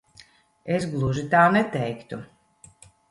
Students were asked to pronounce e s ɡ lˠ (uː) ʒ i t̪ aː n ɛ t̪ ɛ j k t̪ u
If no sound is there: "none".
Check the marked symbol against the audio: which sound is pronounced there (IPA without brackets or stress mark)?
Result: u